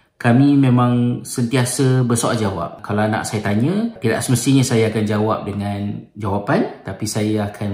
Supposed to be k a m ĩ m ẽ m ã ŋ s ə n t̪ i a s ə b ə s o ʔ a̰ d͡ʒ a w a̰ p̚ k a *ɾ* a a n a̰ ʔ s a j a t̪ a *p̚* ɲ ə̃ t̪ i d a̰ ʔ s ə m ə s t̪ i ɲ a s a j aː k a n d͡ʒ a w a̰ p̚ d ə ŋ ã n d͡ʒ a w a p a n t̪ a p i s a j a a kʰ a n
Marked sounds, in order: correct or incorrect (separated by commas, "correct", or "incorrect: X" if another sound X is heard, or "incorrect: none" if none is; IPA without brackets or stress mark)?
incorrect: l, incorrect: none